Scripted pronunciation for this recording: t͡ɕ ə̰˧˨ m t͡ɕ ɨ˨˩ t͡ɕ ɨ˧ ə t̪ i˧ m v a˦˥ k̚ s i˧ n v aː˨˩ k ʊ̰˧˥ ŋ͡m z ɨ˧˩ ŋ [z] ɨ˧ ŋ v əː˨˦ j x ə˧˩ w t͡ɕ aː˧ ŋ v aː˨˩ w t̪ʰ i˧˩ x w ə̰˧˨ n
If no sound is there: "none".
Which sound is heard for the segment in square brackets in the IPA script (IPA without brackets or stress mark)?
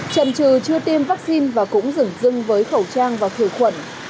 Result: z